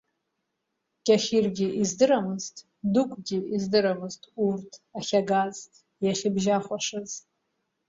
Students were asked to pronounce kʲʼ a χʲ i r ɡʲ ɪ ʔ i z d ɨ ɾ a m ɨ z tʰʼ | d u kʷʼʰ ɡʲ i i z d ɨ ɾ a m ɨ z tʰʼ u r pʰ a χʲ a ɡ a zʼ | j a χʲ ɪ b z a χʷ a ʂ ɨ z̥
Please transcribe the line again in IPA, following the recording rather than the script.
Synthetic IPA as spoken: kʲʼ a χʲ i r ɡʲ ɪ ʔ i z d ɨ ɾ a m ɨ z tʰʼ | d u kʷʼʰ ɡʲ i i z d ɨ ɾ a m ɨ z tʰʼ u r tʰ a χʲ a ɡ a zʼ | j a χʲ ɪ b ʒ a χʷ a ʂ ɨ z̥

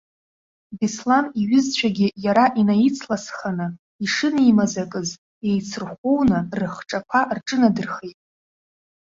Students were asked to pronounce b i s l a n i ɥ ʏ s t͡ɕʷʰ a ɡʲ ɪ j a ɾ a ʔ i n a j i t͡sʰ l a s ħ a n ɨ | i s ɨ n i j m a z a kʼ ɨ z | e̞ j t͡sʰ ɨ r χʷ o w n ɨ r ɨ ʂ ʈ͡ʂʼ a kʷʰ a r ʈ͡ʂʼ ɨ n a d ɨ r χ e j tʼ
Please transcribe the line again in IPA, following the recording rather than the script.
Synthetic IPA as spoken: b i s l a n i ɥ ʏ z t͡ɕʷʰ a ɡʲ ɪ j a ɾ a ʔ i n a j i t͡sʰ l a s χ a n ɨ | i ʂ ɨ n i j m a z a kʼ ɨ z | e̞ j t͡sʰ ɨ r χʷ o w n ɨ r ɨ χ ʈ͡ʂʼ a kʷʰ a r ʈ͡ʂʼ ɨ n a d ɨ r χ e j tʼ

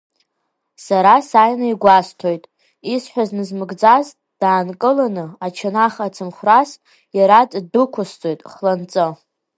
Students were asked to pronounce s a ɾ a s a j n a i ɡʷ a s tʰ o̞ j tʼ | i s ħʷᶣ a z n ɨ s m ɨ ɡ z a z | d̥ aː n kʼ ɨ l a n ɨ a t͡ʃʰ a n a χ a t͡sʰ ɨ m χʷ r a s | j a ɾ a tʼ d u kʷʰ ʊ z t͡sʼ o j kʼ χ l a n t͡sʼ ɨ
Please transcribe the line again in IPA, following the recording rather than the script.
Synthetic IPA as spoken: s a ɾ a s a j n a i ɡʷ a s tʰ o̞ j tʼ | i s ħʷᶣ a z n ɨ z m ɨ ɡ d͡z a z | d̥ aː n kʼ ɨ l a n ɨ a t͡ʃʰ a n a χ a t͡sʰ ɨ m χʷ r a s | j a ɾ a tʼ d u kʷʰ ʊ s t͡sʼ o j tʼ χ l a n t͡sʼ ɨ

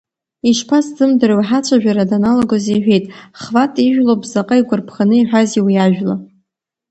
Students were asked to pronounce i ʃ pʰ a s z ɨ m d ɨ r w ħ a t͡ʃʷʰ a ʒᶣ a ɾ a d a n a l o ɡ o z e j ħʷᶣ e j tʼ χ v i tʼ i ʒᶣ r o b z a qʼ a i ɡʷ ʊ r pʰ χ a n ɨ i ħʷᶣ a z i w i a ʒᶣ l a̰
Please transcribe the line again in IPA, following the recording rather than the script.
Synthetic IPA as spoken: i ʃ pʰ a s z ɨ m d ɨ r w ħ a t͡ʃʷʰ a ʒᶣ a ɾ a d a n a l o ɡ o z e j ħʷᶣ e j tʼ χ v a tʼ i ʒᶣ l o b z a qʼ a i ɡʷ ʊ r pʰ χ a n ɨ i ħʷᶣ a z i w i a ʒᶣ l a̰

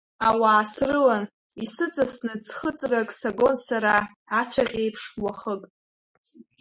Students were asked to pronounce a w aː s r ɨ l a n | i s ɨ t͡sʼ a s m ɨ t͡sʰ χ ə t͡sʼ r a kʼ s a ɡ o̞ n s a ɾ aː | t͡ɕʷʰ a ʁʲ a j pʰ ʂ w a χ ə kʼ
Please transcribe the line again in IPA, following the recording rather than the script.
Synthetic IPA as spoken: a w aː s r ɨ l a n | i s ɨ t͡sʼ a s n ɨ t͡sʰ χ ə t͡sʼ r a kʼ s a ɡ o̞ n s a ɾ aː | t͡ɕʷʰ a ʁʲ e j pʰ ʂ w a χ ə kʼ

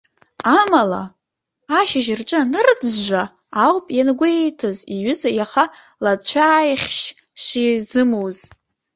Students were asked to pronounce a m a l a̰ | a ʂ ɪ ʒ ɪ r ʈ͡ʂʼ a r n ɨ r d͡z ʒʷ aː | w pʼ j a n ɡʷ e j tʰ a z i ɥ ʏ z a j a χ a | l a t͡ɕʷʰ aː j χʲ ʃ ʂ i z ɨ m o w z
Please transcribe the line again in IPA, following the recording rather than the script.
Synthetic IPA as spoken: a m a l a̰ | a ʃ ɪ ʒ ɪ r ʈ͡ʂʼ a n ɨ r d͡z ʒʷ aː | w pʼ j a n ɡʷ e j tʰ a z i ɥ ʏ z a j a χ a | l a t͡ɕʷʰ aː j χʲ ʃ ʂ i z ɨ m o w z

